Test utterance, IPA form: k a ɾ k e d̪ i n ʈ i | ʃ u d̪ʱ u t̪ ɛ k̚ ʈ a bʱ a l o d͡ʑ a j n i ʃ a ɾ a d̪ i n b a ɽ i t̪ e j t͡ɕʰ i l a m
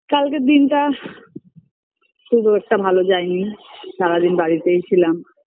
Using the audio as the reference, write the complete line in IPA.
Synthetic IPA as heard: k a l k e d̪ i n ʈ a | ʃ u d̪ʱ u ɛ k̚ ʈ a bʱ a l o d͡ʑ a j n i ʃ a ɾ a d̪ i n b a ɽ i t̪ e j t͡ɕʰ i l a m

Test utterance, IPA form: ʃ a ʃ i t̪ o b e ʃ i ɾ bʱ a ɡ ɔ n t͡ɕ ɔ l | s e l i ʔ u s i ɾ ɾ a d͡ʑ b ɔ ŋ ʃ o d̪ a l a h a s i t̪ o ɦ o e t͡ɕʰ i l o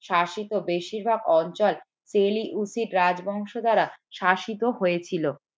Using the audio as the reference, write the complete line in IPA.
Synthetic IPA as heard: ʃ a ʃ i t̪ o b e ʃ i ɾ bʱ a ɡ ɔ n t͡ɕ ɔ l | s e l i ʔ u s i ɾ ɾ a d͡ʑ b ɔ ŋ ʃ o d̪ a ɾ a ʃ a ʃ i t̪ o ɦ o e t͡ɕʰ i l o

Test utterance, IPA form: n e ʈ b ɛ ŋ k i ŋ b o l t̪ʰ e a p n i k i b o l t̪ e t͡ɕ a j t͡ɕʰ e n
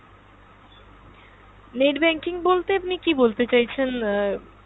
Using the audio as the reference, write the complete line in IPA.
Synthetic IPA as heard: n e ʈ b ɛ ŋ k i ŋ b o l t̪ e a p n i k i b o l t̪ e t͡ɕ a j t͡ɕʰ e n

